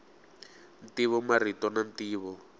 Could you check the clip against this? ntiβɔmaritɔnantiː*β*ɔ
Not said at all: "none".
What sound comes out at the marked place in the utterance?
β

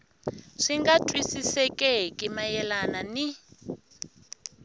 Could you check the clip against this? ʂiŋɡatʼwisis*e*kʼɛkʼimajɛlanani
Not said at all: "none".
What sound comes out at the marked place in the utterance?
ɛ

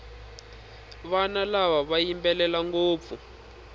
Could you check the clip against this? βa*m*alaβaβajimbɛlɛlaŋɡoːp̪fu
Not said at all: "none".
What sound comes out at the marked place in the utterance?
n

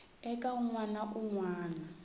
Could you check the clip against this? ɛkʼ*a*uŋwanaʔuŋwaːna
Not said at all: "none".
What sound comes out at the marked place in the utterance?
a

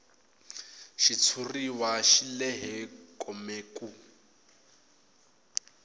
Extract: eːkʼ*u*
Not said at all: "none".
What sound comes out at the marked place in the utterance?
u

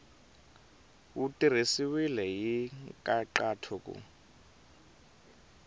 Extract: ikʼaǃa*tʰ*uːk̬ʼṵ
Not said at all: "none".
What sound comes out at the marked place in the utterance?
tʰ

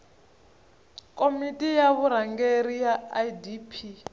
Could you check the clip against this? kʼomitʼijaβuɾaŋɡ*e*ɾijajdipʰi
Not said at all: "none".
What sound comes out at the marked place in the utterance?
e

